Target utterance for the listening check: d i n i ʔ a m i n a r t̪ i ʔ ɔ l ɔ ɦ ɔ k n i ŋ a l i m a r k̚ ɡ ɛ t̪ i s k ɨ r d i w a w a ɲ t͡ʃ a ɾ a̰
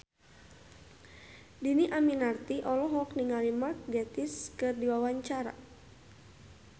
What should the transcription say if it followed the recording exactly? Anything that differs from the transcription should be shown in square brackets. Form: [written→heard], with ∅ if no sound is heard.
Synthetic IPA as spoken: d i n i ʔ a m i n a r t̪ i ʔ ɔ l ɔ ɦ ɔ k n i ŋ a l i m a r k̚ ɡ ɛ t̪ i s k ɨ r d i w a w a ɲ t͡ʃ a ɾ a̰